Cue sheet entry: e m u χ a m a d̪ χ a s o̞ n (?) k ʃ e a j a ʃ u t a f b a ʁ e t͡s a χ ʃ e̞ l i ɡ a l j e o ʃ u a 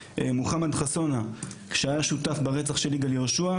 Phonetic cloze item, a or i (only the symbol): a